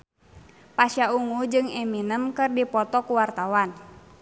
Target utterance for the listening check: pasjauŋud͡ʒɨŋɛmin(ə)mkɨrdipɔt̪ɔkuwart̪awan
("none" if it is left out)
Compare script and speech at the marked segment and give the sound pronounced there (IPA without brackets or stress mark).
ə